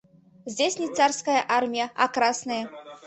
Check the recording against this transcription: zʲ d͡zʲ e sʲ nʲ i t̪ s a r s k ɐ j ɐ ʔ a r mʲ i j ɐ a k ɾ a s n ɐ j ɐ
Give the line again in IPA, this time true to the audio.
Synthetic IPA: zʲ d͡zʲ e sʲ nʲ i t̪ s a r s k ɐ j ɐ ʔ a r mʲ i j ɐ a k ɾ a s n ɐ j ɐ